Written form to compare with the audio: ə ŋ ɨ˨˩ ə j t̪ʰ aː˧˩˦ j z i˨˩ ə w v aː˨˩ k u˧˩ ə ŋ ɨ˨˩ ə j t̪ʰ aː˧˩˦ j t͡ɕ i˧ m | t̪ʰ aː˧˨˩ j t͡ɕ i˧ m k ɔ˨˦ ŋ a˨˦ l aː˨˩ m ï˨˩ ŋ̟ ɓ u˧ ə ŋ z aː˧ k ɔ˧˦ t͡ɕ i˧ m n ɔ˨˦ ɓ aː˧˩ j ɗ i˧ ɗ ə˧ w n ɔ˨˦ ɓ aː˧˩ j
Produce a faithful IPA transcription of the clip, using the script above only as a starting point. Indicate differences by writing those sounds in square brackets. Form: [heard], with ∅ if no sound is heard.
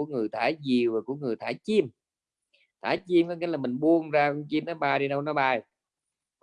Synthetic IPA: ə ŋ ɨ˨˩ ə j t̪ʰ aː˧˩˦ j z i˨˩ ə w v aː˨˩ k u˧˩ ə ŋ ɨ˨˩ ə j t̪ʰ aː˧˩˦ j t͡ɕ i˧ m | t̪ʰ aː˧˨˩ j t͡ɕ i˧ m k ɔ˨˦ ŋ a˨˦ l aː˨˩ m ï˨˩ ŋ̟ ɓ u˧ ə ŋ z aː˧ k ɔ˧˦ t͡ɕ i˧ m n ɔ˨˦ ɓ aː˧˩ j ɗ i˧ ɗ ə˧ w n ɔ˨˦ ɓ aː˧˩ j